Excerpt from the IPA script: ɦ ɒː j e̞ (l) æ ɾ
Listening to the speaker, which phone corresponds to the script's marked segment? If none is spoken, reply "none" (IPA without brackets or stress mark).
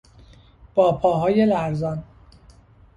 l